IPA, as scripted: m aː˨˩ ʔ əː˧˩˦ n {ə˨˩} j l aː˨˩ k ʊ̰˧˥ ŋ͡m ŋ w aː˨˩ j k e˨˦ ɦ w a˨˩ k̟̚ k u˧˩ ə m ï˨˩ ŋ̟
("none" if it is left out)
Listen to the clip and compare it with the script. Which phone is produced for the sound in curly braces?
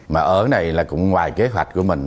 a˨˩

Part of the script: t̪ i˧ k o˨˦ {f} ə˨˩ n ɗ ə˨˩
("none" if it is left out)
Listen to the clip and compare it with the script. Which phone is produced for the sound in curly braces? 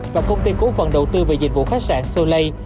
f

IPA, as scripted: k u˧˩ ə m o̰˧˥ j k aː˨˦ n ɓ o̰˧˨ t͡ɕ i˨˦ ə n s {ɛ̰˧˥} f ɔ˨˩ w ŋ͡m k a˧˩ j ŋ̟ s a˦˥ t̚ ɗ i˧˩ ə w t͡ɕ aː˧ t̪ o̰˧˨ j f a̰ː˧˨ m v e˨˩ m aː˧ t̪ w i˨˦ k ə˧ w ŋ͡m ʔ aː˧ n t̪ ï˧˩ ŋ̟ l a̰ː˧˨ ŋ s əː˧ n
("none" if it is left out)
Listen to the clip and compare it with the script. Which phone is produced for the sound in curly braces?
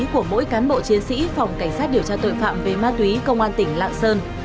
ḭ˧˥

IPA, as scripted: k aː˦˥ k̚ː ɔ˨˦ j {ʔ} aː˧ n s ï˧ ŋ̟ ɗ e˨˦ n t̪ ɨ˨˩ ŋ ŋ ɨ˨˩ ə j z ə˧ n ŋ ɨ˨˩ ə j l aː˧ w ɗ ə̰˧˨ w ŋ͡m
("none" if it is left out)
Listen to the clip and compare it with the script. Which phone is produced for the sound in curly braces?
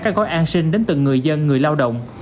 ʔ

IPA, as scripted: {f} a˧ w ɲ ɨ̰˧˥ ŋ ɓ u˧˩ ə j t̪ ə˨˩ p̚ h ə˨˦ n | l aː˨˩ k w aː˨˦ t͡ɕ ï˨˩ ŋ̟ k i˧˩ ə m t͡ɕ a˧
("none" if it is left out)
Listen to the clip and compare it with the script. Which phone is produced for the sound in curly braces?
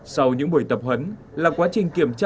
s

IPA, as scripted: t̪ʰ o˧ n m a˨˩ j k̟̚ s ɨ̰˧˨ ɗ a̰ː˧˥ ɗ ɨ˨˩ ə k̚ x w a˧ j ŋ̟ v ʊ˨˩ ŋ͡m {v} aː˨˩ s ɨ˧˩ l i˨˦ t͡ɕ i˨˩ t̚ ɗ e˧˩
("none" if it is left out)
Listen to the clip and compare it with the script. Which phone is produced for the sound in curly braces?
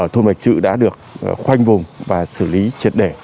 v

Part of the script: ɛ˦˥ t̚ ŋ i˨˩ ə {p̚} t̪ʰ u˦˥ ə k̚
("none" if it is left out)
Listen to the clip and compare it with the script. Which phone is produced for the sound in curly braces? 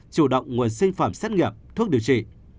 p̚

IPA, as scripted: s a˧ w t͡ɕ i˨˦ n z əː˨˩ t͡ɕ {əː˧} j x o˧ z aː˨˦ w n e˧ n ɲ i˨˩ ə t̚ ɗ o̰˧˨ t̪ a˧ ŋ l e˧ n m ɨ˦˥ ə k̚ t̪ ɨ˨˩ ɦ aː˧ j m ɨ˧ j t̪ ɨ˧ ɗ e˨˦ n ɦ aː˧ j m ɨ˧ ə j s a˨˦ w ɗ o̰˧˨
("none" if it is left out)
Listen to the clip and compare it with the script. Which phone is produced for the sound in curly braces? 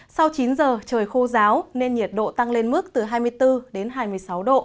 əː˨˩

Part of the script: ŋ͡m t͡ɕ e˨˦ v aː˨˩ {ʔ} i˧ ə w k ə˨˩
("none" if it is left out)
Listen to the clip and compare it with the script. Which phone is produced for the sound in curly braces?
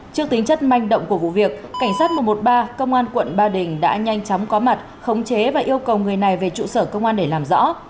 ʔ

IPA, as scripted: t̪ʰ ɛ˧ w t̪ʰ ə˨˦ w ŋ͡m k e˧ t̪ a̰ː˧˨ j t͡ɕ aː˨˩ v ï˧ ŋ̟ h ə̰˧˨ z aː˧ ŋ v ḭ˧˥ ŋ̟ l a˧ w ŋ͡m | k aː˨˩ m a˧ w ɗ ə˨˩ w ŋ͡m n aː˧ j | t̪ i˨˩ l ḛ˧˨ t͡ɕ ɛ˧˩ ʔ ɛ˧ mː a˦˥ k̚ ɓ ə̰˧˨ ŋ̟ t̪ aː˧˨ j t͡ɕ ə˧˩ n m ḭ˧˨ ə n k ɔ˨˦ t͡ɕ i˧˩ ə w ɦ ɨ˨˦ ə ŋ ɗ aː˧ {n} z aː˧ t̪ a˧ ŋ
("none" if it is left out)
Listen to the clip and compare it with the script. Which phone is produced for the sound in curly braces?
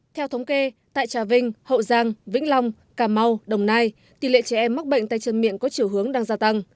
ŋ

